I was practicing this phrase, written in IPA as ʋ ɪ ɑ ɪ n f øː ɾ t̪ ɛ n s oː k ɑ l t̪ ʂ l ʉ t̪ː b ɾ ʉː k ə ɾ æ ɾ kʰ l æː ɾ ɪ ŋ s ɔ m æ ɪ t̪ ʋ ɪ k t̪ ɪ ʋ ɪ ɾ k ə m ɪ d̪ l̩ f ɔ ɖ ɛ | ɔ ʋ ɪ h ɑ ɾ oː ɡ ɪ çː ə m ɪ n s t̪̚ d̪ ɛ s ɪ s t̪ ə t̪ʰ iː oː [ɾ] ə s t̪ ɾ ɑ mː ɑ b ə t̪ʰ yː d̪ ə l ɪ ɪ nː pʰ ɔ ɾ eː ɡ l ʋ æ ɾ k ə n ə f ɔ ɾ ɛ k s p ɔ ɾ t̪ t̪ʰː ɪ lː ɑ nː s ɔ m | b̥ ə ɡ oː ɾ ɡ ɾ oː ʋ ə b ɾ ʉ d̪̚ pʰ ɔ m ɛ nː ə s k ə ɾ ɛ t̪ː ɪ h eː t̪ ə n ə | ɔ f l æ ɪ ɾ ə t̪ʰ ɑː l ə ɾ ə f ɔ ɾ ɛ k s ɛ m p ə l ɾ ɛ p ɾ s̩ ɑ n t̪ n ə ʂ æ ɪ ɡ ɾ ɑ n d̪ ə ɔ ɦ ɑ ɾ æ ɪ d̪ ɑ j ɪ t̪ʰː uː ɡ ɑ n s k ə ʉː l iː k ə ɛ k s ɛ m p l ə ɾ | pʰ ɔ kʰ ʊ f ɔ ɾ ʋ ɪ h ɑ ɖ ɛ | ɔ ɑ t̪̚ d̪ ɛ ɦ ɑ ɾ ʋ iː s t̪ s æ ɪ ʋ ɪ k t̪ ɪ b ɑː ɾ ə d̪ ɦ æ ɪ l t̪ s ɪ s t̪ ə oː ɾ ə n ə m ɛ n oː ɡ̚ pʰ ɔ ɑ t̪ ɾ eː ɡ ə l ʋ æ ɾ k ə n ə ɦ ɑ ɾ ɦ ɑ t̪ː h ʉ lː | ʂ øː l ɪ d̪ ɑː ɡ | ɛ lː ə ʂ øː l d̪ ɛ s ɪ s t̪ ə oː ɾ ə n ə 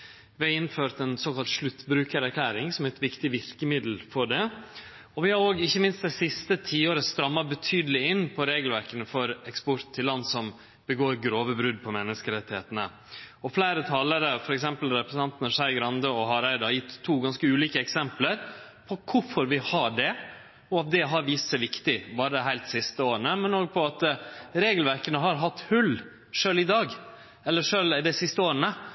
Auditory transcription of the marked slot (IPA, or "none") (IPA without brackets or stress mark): ɾ